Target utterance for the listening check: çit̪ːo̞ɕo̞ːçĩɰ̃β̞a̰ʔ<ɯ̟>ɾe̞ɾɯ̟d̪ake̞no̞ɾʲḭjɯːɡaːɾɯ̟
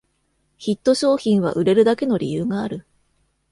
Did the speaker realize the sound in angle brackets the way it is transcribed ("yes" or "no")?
yes